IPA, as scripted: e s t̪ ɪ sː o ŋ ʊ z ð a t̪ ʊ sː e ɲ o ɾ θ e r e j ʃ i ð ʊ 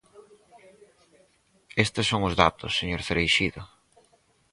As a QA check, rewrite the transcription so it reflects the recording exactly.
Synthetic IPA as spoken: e s t̪ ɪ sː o ŋ ʊ z ð a t̪ ʊ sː e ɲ o ɾ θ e ɾ e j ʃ i ð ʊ